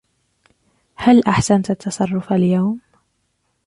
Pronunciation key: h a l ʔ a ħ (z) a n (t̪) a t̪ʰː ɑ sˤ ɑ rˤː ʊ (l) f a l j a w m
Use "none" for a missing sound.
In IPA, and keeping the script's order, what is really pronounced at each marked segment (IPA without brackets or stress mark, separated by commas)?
s, t̪, none